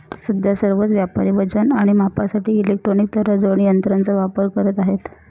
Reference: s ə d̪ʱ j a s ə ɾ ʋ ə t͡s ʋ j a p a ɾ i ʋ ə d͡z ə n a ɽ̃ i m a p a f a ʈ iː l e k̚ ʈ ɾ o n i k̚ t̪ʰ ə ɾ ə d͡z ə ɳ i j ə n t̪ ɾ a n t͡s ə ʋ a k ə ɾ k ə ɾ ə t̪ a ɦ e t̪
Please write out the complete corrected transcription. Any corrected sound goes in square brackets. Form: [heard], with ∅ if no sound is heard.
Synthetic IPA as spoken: s ə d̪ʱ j a s ə ɾ ʋ ə t͡s ʋ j a p a ɾ i ʋ ə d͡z ə n a ɽ̃ i m a p a [s] a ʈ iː l e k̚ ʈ ɾ o n i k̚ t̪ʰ ə ɾ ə d͡z ə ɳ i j ə n t̪ ɾ a n t͡s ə ʋ a [p] ə ɾ k ə ɾ ə t̪ a ɦ e t̪